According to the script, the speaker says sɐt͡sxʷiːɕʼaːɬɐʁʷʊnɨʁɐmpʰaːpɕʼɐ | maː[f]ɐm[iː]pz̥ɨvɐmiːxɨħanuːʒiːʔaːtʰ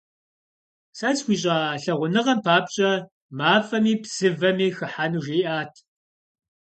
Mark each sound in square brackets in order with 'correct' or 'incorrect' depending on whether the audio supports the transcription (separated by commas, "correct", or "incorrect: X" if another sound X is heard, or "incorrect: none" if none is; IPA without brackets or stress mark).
correct, correct